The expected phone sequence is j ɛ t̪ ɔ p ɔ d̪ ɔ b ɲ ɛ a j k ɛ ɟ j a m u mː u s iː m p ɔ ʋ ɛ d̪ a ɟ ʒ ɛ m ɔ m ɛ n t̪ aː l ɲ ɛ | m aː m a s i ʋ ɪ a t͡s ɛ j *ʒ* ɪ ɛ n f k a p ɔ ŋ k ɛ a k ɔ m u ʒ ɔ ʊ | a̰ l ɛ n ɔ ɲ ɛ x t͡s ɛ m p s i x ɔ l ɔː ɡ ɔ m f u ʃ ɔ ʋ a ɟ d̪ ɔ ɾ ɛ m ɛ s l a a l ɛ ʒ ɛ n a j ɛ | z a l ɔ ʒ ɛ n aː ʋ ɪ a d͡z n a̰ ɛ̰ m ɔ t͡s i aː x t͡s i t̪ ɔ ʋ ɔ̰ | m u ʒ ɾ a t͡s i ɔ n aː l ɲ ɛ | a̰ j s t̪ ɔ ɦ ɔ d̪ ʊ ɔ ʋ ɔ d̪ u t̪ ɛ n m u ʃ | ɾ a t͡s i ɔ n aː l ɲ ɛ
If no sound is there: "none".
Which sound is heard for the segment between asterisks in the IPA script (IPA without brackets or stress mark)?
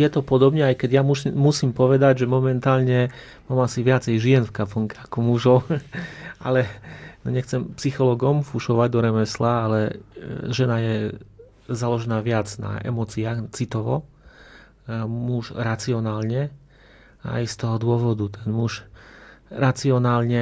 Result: ʒ